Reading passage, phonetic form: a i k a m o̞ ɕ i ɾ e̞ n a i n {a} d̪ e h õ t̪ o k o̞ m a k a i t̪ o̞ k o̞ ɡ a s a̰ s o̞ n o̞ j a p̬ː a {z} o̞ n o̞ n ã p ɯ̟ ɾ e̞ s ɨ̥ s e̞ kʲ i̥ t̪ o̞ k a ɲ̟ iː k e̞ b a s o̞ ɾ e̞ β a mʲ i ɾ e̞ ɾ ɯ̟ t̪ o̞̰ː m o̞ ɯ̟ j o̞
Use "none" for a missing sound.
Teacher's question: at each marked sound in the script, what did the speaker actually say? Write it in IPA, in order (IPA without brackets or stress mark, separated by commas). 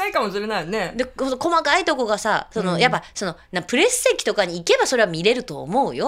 e, s